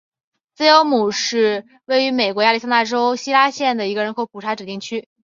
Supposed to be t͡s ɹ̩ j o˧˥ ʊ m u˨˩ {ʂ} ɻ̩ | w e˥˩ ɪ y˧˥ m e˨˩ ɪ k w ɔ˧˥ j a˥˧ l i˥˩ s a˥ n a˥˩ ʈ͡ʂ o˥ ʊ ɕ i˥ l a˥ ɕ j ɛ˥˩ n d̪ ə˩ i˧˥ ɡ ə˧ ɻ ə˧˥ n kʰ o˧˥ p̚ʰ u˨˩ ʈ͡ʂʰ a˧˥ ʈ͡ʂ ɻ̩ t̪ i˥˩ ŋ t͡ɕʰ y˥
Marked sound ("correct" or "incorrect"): correct